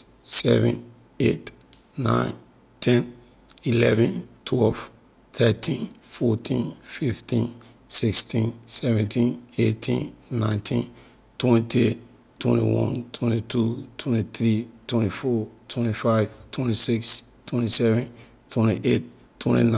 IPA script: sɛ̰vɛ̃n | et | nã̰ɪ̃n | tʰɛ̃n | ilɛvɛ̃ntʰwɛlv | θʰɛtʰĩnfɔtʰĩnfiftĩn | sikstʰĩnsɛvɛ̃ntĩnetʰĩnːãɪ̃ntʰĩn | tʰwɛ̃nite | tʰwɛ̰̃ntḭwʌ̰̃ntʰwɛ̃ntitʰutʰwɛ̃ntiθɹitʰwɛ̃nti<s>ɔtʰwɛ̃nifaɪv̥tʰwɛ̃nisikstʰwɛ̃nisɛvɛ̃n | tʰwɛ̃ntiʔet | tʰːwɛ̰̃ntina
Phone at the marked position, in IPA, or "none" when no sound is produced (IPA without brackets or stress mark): f